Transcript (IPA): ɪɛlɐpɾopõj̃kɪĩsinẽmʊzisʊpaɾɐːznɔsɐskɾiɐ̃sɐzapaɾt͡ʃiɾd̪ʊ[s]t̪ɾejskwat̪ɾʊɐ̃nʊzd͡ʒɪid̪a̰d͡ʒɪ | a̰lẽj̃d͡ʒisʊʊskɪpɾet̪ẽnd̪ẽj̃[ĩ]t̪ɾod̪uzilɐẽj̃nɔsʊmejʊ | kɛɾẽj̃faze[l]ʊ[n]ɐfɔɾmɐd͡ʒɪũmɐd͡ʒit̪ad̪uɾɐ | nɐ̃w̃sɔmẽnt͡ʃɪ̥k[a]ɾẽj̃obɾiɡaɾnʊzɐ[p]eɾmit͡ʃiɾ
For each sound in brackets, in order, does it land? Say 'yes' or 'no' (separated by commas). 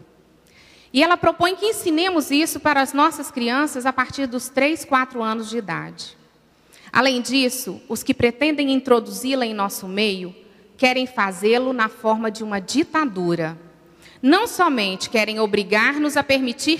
yes, yes, yes, yes, no, yes